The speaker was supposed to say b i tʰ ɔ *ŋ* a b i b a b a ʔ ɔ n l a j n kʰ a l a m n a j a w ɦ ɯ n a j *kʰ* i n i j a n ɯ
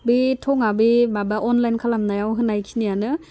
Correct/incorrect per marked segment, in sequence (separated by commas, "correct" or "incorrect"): correct, correct